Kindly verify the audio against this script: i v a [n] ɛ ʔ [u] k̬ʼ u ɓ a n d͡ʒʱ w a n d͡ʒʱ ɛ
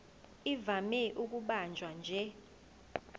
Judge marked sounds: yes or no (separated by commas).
no, yes